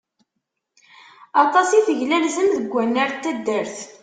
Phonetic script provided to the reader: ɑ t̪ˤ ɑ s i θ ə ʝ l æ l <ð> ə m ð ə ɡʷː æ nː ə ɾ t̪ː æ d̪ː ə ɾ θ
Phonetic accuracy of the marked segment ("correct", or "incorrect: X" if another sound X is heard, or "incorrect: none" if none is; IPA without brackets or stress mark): incorrect: z